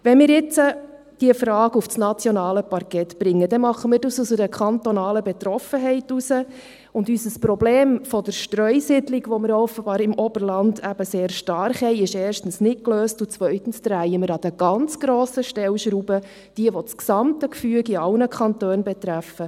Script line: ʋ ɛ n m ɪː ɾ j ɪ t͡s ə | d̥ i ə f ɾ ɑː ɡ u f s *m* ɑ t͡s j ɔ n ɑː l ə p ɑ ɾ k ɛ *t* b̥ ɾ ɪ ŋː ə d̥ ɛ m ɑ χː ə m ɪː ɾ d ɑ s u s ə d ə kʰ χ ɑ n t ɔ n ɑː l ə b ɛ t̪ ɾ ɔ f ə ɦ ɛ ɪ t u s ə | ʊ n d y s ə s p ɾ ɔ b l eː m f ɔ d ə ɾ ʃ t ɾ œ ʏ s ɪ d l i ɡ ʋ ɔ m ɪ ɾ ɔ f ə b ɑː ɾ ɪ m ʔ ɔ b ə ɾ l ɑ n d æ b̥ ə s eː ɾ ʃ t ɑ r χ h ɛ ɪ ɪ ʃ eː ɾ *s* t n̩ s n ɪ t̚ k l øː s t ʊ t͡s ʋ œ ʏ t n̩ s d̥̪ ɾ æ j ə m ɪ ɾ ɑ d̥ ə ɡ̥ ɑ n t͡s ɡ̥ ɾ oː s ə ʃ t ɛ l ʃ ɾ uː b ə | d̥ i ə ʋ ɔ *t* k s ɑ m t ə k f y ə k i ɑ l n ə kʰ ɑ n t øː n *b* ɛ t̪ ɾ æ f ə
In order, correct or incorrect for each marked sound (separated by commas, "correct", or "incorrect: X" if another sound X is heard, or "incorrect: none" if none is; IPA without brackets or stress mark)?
incorrect: n, correct, incorrect: ʃ, incorrect: t͡s, correct